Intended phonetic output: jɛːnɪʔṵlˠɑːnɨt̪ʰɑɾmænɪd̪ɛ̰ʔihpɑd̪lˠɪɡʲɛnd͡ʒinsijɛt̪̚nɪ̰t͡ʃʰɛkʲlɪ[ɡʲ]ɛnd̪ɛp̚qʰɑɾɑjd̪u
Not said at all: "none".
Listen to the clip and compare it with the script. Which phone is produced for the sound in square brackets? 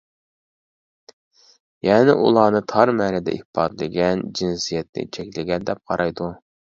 ɡʲ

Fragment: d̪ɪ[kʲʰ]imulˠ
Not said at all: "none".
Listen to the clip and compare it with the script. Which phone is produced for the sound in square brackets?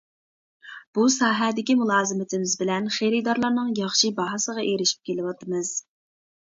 kʲ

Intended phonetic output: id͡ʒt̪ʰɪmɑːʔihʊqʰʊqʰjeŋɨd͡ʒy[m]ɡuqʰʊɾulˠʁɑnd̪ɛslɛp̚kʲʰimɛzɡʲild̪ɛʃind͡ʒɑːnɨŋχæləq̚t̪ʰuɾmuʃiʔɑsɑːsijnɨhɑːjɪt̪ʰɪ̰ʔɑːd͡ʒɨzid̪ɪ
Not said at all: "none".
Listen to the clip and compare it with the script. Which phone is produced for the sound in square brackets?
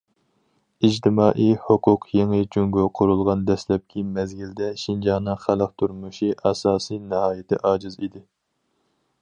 ŋ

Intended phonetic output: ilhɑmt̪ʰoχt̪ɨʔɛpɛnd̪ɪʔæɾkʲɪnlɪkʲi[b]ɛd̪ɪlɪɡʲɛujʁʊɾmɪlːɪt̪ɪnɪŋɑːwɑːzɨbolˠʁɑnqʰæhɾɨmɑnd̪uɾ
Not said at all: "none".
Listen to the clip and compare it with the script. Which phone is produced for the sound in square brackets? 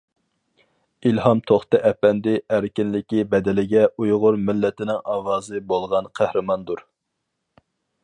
b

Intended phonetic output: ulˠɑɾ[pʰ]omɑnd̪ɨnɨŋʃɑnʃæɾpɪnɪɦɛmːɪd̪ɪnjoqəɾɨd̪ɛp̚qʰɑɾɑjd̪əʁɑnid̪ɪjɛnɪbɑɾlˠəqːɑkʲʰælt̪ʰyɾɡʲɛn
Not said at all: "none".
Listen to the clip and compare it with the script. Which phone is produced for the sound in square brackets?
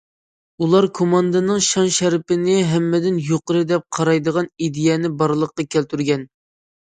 kʰ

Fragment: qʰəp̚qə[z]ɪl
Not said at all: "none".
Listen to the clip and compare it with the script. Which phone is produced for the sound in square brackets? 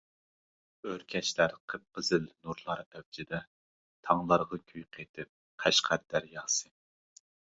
z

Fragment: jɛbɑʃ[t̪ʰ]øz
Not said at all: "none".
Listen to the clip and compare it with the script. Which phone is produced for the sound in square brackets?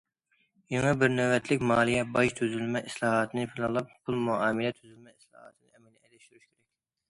t̪ʰ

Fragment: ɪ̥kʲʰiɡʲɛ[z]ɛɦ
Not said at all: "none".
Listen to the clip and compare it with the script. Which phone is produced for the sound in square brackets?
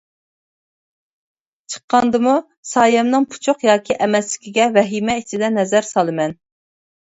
v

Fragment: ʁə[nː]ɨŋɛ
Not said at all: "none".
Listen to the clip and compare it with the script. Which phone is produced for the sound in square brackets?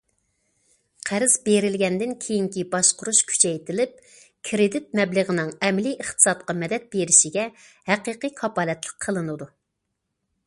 n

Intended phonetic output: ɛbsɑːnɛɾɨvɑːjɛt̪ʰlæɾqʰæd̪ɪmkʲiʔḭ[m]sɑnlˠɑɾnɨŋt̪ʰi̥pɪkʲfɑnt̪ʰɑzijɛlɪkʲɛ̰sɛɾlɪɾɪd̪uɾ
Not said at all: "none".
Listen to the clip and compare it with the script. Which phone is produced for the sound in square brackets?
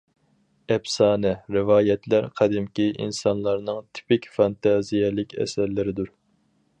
n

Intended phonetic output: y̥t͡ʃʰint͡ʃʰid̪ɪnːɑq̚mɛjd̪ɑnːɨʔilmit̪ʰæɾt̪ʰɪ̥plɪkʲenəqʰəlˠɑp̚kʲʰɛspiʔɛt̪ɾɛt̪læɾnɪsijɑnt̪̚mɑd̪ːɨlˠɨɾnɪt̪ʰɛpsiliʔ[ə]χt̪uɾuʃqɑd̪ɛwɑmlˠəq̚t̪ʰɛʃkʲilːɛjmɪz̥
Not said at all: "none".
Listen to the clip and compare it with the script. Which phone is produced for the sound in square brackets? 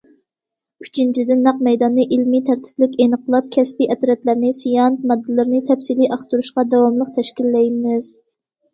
ɑ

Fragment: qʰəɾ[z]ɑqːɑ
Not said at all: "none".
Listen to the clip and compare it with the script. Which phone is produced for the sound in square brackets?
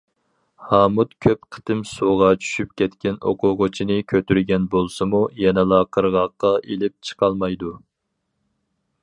ʁ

